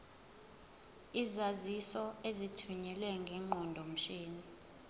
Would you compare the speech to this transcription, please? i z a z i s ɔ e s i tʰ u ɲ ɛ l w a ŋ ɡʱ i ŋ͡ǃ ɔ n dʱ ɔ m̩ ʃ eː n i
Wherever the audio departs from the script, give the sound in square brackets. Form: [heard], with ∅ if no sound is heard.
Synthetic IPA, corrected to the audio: i z a z i s ɔ e [z] i tʰ u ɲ ɛ l w [ɛ] ŋ ɡʱ [ɛ] ŋ͡ǃ ɔ n dʱ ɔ m̩ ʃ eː n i